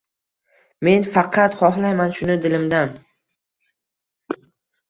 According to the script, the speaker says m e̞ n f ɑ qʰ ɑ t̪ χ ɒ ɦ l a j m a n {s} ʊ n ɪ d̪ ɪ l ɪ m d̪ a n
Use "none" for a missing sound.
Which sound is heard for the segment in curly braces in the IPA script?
ʃ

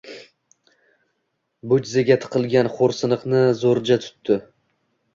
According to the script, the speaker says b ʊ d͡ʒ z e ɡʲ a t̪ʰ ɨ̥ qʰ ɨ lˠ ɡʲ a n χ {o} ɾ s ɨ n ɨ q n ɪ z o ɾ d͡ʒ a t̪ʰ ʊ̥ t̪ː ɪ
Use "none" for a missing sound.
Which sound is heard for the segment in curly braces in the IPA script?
o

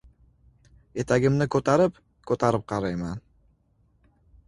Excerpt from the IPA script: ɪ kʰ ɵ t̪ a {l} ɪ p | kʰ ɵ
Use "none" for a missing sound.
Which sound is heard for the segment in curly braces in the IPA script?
ɾ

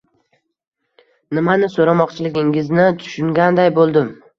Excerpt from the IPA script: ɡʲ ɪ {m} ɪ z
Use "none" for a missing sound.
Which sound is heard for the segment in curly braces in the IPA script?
ŋ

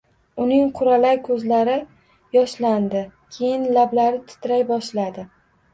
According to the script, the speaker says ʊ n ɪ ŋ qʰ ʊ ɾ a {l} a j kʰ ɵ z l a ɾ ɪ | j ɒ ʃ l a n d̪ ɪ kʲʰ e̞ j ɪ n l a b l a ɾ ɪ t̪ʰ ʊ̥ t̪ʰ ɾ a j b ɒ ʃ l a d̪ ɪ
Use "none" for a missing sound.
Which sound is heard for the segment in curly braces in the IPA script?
l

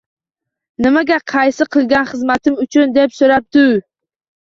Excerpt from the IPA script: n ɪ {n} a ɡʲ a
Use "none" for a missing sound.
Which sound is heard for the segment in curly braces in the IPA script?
m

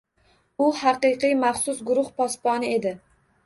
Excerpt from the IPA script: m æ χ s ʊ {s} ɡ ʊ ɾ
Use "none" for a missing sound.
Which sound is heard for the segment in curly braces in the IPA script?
s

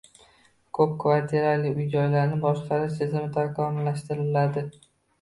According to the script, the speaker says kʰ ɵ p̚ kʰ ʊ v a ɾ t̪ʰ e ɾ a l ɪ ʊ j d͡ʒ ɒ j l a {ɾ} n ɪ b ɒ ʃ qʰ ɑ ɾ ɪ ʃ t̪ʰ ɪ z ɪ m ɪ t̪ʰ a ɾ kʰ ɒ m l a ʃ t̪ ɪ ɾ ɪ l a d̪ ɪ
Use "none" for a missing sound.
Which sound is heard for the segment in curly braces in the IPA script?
ɾ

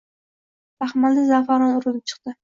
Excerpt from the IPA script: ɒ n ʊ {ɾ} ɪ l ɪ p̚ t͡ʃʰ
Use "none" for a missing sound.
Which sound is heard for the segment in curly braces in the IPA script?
ɾ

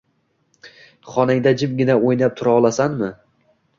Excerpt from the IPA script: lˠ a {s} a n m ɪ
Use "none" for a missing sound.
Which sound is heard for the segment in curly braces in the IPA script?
s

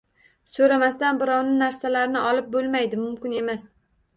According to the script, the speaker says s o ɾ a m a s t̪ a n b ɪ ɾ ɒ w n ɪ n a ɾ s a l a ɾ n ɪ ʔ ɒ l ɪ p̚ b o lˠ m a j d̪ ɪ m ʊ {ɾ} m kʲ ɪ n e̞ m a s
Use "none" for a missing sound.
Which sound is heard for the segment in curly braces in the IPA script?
none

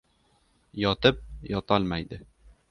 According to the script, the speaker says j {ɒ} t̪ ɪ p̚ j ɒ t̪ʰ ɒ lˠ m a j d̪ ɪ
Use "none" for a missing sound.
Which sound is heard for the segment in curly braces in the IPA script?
ɒ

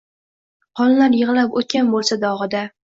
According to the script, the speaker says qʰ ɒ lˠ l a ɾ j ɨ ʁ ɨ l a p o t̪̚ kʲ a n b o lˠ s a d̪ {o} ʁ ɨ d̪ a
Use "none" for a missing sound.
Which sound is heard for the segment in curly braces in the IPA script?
ɒ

